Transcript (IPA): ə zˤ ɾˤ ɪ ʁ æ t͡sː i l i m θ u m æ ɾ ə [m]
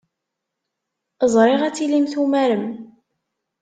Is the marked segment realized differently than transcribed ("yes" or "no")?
no